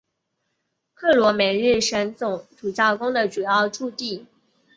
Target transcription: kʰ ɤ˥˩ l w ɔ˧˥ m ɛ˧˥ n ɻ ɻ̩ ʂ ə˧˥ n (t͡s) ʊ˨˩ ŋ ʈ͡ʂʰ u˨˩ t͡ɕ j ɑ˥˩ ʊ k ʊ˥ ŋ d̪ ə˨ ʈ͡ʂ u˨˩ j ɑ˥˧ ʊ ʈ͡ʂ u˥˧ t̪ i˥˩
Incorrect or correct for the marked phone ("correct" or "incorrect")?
correct